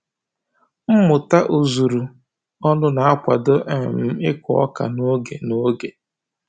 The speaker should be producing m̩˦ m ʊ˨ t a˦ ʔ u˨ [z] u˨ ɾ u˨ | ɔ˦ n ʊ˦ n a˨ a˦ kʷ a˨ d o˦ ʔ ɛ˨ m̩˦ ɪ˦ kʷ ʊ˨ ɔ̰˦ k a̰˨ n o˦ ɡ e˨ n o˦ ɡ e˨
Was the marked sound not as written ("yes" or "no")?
no